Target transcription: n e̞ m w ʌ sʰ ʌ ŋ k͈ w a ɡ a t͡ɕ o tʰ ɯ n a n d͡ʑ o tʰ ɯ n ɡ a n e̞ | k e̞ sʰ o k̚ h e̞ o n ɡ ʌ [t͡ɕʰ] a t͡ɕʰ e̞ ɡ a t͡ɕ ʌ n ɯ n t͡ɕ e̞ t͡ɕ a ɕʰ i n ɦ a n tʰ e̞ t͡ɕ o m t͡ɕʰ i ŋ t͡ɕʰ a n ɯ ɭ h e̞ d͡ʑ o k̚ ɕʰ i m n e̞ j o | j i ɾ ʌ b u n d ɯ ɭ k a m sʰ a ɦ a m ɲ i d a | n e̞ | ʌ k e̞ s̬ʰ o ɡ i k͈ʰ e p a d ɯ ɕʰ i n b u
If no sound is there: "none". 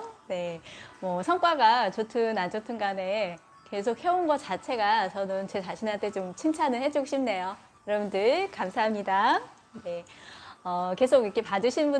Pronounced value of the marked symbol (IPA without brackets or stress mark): t͡ɕ